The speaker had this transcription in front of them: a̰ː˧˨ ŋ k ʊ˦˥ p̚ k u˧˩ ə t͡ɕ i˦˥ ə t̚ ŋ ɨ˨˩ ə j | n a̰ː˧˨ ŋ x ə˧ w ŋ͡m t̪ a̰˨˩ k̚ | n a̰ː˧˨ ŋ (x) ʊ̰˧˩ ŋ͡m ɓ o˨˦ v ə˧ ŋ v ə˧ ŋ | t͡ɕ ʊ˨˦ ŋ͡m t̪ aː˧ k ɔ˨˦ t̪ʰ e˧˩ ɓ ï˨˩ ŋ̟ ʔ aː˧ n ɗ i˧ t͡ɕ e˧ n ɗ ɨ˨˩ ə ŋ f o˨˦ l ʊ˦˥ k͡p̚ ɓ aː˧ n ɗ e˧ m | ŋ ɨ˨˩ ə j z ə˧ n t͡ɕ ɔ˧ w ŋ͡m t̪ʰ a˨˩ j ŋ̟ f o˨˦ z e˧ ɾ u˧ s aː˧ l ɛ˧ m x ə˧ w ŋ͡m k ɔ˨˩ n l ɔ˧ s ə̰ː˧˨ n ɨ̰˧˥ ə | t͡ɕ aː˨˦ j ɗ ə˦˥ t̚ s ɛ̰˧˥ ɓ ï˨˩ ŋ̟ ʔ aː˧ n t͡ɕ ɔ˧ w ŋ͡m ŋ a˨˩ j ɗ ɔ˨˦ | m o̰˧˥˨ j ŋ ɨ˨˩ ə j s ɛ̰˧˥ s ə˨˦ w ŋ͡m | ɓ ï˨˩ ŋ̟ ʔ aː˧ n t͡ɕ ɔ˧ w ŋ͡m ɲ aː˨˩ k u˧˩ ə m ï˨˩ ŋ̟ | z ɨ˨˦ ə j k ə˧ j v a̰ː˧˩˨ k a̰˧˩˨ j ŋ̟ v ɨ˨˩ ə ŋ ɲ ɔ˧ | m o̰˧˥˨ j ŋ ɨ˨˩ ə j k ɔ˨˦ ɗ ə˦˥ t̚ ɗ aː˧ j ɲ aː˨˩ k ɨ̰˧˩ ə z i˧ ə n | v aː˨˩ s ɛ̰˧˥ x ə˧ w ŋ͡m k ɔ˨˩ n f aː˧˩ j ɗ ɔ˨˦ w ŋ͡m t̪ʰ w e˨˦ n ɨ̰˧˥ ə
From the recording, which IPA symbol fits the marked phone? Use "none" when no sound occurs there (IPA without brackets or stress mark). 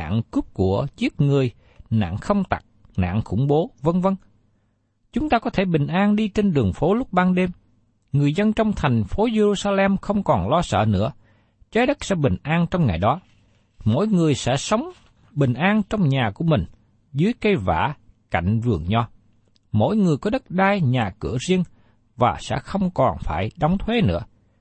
x